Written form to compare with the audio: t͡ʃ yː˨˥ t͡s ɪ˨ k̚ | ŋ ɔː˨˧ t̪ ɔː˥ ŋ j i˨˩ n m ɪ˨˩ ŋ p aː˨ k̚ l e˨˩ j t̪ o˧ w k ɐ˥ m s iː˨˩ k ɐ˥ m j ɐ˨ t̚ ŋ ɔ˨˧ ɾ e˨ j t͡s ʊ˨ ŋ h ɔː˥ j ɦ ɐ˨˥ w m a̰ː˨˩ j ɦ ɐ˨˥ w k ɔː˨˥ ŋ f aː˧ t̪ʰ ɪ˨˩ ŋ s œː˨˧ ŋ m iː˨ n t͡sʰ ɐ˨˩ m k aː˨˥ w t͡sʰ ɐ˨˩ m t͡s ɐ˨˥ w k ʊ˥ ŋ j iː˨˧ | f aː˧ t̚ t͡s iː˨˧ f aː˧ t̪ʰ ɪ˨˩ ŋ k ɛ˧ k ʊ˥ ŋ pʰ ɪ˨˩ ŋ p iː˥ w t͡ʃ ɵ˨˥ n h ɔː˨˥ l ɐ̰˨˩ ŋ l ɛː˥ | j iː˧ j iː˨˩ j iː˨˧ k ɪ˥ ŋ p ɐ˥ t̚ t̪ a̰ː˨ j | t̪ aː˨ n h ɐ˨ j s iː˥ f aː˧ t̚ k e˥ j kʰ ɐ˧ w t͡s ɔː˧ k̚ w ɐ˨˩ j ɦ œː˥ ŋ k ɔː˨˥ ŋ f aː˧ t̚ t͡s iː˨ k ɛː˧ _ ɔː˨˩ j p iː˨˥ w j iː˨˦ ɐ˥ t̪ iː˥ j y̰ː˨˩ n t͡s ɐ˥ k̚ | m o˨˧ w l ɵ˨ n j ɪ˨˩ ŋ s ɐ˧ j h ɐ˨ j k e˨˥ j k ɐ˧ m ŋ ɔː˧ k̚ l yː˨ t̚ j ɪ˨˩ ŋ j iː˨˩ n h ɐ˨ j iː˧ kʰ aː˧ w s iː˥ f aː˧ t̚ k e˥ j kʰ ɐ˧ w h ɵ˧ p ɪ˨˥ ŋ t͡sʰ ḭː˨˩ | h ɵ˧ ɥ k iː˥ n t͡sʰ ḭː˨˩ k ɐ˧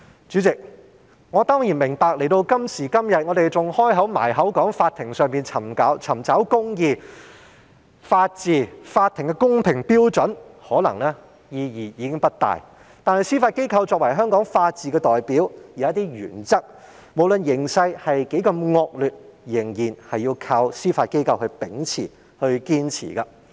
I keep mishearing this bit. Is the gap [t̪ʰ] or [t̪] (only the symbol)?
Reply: t̪